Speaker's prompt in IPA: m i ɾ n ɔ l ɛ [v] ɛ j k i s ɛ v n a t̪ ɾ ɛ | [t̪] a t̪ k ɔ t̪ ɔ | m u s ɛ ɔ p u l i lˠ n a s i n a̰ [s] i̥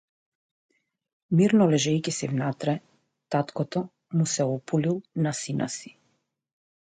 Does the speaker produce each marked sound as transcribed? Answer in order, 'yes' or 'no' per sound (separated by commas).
no, yes, yes